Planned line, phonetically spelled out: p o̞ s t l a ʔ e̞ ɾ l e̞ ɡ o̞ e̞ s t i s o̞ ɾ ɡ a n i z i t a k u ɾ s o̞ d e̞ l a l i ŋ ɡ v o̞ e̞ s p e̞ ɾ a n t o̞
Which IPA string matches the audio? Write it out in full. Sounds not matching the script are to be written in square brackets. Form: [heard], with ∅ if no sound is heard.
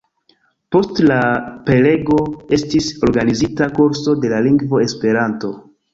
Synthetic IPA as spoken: p o̞ s t l a [p] e̞ [∅] l e̞ ɡ o̞ e̞ s t i s o̞ ɾ ɡ a n i z i t a k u ɾ s o̞ d e̞ l a l i ŋ ɡ v o̞ e̞ s p e̞ ɾ a n t o̞